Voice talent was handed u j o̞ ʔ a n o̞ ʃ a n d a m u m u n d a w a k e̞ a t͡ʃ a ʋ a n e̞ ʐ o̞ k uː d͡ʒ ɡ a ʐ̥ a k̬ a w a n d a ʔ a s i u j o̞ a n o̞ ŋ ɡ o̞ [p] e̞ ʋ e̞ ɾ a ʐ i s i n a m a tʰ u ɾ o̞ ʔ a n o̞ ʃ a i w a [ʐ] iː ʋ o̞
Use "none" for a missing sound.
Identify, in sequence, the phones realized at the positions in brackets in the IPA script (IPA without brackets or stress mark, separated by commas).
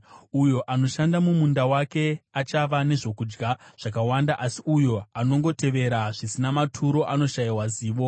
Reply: t, z